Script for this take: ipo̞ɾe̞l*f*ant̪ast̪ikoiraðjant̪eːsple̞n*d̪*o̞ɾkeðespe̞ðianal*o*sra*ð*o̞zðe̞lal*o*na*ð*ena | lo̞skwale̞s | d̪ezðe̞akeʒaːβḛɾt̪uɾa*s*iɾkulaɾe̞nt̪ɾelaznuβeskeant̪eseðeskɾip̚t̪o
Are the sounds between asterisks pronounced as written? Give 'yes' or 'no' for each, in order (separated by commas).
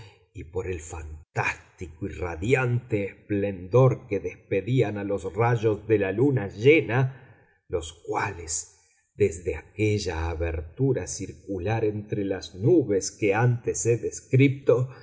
yes, yes, yes, no, no, no, yes